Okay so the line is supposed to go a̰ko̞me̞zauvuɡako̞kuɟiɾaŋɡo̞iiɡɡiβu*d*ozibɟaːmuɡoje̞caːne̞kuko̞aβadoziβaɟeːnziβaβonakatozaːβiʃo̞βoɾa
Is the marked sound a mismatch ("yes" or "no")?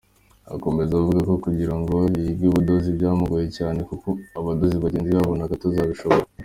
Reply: no